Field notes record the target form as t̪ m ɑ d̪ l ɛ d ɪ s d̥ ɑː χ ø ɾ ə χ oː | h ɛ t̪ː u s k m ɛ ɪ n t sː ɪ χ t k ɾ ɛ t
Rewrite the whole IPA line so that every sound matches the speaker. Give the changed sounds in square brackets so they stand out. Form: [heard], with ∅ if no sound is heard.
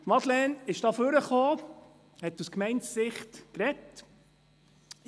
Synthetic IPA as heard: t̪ m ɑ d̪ l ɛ [n] ɪ [ʃ] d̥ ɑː [f] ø ɾ ə χ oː | h ɛ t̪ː u s k m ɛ ɪ n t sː ɪ χ t k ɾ ɛ t